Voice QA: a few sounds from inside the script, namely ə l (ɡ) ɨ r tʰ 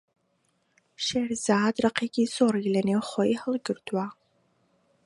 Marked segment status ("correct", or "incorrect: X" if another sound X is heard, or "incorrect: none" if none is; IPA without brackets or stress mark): correct